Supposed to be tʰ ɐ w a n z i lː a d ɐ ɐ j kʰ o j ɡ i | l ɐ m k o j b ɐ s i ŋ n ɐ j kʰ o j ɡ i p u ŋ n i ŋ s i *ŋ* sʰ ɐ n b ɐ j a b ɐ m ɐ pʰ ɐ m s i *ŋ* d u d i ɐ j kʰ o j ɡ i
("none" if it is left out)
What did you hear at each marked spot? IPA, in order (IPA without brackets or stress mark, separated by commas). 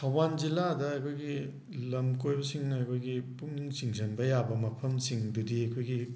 ŋ, ŋ